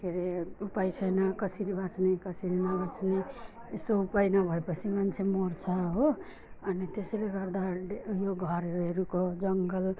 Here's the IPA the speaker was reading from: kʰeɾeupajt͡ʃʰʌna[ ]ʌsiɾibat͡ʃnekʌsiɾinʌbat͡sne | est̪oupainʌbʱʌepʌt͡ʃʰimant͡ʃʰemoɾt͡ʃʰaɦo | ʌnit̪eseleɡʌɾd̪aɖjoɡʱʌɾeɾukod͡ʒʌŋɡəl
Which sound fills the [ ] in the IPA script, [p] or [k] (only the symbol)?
k